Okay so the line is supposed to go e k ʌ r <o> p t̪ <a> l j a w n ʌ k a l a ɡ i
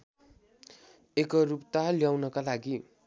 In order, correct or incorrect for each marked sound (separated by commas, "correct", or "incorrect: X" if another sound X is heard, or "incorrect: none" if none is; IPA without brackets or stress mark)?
incorrect: u, correct